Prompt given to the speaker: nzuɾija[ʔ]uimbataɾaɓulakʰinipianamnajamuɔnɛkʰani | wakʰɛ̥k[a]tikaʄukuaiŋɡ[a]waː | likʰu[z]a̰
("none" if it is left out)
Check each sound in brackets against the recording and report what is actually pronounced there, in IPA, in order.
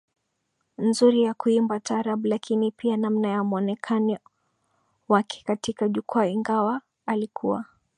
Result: k, a, a, none

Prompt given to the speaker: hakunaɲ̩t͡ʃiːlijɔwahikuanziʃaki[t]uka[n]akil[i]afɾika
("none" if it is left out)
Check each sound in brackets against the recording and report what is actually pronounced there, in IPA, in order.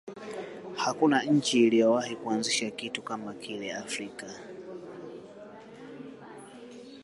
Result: t, m, ɛ

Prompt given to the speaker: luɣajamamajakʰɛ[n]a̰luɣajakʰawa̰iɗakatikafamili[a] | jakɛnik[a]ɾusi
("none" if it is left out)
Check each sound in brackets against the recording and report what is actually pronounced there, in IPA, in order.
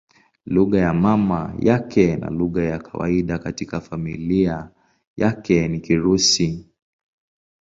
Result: n, a, i

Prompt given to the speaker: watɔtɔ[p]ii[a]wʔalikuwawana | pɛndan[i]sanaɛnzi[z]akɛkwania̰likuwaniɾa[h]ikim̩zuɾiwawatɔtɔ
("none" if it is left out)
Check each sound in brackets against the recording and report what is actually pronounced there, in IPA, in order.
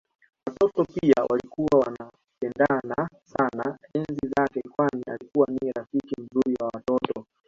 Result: p, a, a, z, f

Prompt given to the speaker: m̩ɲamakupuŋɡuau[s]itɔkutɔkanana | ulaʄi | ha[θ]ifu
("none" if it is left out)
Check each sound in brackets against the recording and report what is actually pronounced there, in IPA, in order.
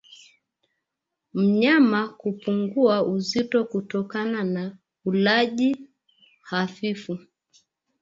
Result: z, f

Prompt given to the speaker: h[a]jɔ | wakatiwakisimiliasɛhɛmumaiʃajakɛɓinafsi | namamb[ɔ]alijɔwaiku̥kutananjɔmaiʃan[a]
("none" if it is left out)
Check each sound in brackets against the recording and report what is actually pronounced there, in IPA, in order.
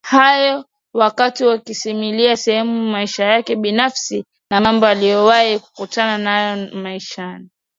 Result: a, ɔ, i

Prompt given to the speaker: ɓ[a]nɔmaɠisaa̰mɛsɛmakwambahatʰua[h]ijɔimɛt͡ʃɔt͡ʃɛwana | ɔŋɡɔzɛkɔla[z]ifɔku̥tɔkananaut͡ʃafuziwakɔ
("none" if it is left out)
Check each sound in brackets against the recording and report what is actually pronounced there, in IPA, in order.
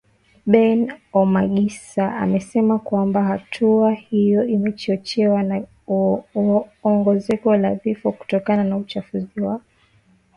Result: ɛ, h, v

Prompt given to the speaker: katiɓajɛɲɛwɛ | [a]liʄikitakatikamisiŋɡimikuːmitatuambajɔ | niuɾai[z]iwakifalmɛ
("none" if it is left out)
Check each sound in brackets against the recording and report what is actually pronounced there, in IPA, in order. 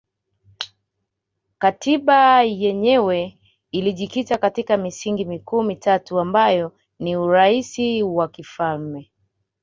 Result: i, s

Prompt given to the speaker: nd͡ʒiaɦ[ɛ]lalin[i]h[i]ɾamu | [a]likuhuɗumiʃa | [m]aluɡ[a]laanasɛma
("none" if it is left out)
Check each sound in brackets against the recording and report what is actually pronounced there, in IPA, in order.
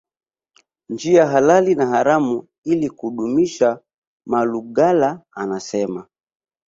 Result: a, a, a, i, m, a

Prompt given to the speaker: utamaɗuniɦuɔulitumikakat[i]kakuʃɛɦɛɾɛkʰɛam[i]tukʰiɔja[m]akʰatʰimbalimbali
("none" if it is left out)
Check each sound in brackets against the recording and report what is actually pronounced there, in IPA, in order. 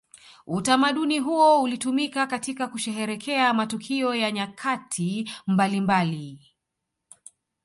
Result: i, a, ɲ

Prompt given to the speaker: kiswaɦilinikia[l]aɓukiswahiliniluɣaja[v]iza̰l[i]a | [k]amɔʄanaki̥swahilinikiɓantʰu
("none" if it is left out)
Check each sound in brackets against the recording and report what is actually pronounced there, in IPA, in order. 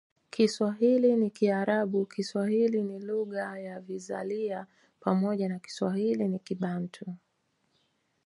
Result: ɾ, v, i, p

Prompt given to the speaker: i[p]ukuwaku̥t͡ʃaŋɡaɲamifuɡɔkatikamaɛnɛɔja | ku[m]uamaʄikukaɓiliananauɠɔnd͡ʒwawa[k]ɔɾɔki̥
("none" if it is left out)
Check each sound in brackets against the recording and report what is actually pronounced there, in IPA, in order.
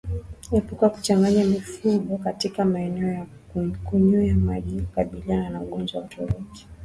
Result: p, ɲ, t

